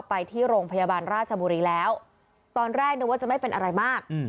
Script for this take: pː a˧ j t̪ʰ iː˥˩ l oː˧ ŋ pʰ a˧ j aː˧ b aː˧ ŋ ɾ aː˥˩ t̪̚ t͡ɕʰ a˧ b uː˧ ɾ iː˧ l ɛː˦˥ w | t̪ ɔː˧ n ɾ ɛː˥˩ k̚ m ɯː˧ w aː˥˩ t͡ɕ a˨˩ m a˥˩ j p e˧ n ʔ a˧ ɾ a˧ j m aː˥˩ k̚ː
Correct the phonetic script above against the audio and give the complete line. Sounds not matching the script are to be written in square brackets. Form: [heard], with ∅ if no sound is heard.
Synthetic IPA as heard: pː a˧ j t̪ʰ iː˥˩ [ɾ] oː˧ ŋ pʰ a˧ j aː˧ b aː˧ [n] ɾ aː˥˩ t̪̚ t͡ɕʰ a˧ b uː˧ ɾ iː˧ l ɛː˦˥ w | t̪ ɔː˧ n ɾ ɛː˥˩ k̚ [n] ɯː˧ w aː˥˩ t͡ɕ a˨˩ m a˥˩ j p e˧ n ʔ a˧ ɾ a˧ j m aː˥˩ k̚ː